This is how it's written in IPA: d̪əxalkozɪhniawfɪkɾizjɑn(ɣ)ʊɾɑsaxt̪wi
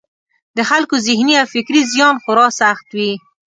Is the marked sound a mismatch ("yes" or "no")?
yes